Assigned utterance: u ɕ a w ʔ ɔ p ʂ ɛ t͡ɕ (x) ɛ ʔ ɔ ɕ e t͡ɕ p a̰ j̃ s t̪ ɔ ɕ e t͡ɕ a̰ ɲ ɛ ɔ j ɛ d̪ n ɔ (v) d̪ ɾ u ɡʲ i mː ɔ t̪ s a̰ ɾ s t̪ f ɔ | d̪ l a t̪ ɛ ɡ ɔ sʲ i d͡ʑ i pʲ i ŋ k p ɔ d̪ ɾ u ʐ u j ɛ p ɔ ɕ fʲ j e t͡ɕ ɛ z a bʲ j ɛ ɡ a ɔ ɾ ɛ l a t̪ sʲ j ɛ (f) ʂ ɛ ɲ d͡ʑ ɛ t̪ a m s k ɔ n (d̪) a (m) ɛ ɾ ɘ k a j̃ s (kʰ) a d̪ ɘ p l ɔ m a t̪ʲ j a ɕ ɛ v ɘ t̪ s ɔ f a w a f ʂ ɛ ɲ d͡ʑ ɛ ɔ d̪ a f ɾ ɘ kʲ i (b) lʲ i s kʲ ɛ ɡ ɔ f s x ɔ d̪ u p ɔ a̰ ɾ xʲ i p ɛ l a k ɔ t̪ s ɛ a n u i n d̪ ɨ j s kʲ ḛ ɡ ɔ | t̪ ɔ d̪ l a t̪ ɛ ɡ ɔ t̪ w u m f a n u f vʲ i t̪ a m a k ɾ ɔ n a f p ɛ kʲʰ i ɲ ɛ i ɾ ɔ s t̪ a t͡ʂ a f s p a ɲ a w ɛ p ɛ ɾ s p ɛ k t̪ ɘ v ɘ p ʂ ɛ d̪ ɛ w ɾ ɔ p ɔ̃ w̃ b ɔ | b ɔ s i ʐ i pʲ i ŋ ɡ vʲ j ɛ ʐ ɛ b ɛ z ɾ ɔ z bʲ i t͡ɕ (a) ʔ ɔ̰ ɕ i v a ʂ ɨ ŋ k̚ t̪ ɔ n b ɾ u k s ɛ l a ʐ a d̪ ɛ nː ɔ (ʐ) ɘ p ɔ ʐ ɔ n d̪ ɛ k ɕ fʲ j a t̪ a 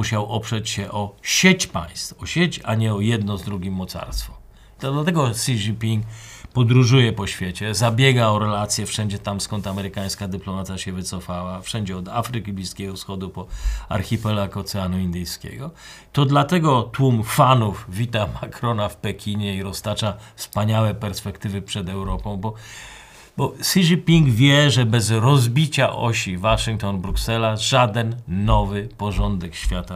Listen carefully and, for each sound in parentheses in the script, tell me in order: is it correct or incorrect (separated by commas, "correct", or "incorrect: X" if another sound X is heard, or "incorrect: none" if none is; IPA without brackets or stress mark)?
incorrect: ɕ, incorrect: z, correct, incorrect: t̪, correct, incorrect: k, correct, correct, incorrect: v